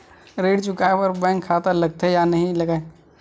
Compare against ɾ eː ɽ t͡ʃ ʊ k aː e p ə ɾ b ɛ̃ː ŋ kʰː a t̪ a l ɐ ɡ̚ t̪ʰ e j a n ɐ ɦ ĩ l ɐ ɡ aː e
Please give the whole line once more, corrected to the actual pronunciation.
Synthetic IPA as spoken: ɾ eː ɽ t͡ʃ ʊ k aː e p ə ɾ b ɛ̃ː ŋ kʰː a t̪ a l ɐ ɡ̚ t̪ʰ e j a n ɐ ɦ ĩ l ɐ ɡ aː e